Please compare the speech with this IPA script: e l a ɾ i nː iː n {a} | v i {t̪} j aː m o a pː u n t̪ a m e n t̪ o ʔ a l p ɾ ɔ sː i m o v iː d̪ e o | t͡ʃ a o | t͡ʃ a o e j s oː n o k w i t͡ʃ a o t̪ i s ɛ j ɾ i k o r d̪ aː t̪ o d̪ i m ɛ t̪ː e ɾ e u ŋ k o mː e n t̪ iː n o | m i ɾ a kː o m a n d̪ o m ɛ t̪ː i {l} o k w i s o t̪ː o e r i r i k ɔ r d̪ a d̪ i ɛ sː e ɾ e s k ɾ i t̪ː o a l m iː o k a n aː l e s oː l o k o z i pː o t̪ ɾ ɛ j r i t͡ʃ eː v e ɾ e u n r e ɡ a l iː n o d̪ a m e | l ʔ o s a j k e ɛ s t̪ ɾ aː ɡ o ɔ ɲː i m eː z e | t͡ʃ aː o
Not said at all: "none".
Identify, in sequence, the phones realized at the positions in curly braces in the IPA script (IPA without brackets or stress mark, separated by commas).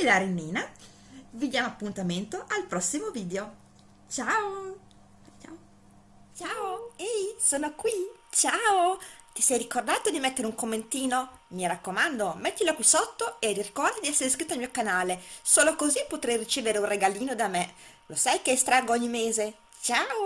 a, d̪, l